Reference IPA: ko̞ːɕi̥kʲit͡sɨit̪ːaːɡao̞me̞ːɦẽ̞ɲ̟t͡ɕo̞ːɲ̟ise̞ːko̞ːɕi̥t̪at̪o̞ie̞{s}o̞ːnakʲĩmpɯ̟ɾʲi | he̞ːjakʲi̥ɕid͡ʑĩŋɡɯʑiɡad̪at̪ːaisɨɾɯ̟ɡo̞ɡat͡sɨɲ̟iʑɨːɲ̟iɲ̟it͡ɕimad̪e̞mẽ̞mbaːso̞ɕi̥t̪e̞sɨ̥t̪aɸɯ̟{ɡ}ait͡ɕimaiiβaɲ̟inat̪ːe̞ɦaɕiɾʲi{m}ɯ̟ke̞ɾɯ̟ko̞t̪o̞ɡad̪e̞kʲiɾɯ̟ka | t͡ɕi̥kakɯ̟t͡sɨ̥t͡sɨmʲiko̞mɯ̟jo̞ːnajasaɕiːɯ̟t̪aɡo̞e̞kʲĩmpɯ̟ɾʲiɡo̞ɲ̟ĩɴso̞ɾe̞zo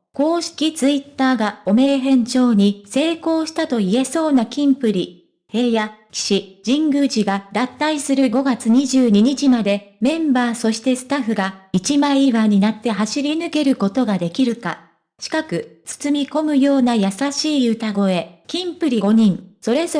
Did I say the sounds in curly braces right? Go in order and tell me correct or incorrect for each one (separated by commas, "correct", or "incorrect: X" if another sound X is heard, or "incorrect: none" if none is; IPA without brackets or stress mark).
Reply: correct, correct, incorrect: n